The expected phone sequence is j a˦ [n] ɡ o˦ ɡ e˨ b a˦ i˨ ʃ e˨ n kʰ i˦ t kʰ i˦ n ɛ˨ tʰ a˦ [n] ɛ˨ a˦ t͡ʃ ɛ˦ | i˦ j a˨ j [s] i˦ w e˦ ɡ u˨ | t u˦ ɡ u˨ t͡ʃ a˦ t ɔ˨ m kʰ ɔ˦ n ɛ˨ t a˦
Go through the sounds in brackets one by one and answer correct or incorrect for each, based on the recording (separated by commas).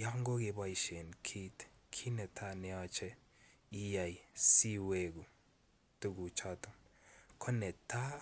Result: incorrect, correct, correct